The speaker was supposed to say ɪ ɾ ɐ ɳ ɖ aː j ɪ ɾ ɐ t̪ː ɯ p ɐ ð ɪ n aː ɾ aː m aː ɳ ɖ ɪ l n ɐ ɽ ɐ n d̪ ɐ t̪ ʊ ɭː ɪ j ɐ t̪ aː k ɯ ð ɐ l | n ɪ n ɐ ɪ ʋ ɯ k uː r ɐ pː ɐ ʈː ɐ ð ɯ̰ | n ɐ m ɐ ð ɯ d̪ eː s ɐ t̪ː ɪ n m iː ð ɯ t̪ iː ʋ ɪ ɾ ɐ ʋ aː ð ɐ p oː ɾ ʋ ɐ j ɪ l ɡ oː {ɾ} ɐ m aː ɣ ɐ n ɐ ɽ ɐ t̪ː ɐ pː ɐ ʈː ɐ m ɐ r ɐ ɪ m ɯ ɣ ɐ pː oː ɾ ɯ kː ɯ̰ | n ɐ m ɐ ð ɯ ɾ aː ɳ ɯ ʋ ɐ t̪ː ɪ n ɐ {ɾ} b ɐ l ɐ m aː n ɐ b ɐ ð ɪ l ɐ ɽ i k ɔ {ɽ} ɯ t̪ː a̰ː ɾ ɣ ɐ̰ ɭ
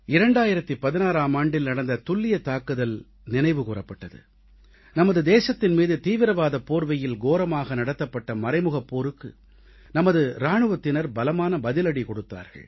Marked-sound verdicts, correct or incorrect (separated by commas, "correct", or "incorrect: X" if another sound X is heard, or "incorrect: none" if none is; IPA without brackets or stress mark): correct, correct, correct